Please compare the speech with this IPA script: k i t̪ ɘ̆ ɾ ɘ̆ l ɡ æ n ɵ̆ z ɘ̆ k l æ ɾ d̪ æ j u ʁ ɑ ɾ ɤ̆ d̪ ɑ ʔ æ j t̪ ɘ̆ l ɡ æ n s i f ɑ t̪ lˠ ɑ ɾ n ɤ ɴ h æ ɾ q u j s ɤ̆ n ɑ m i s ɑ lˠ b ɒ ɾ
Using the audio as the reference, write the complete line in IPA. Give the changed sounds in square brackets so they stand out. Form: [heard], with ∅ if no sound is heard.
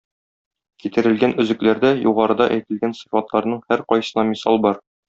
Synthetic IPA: k i t̪ ɘ̆ ɾ ɘ̆ l ɡ æ n ɵ̆ z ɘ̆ k l æ ɾ d̪ æ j u ʁ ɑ ɾ ɤ̆ d̪ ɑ ʔ æ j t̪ ɘ̆ l ɡ æ n s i f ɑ t̪ lˠ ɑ ɾ n ɤ ɴ h æ ɾ q [ɒ] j s ɤ̆ n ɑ m i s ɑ lˠ b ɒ ɾ